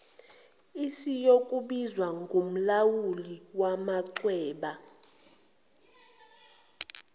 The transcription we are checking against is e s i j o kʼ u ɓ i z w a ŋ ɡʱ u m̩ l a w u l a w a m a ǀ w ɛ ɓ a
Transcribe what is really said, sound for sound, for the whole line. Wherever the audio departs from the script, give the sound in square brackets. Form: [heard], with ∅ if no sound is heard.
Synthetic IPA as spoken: [i] s i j o kʼ u ɓ i z w a ŋ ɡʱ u m̩ l a w u l [i] w a m a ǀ w [ɛː] ɓ a